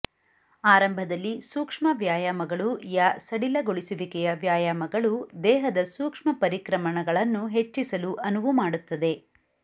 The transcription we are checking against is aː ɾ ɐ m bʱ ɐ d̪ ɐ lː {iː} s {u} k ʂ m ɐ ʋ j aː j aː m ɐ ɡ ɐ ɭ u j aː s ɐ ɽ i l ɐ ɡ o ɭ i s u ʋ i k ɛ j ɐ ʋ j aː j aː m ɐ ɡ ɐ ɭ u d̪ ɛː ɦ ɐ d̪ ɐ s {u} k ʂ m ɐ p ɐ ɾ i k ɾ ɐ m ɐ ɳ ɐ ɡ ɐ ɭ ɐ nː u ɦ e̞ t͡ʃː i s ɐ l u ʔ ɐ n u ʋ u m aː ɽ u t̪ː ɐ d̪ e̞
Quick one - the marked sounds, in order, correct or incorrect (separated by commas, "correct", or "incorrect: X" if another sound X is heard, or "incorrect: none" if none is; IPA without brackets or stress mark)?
incorrect: i, incorrect: uː, incorrect: uː